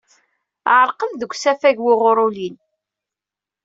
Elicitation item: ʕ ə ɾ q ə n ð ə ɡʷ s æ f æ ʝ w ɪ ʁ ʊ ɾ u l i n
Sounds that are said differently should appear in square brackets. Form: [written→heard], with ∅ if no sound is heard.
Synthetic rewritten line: ʕ ə ɾ q ə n ð ə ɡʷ s æ f æ ʝ w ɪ ʁ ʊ ɾ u l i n